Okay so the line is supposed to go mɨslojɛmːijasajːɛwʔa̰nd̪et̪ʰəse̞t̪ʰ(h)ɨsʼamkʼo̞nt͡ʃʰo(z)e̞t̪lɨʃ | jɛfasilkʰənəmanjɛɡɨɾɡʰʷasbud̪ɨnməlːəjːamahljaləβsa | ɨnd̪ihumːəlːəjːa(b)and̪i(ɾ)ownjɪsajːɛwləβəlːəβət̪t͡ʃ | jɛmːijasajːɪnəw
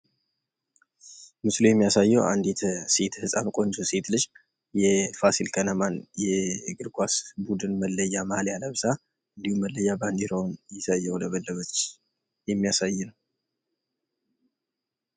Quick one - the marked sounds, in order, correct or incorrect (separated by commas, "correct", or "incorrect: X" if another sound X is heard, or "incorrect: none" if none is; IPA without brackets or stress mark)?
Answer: correct, incorrect: s, correct, correct